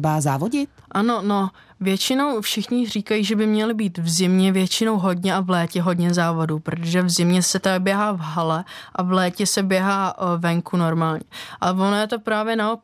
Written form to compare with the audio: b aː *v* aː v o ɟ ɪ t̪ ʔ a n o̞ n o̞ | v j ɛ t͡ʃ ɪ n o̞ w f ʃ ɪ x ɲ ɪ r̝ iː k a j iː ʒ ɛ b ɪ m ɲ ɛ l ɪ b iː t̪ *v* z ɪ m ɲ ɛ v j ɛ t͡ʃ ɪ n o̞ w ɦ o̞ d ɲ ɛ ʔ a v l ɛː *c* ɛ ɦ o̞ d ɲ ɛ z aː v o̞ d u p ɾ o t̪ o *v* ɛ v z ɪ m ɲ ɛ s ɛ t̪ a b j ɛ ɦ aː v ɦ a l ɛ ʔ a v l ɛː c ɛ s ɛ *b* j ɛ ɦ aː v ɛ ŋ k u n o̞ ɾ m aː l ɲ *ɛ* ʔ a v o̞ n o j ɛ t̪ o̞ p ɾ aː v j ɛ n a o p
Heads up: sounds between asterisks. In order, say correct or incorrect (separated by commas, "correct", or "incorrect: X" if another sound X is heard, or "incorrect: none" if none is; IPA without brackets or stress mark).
incorrect: z, correct, correct, incorrect: ʒ, correct, correct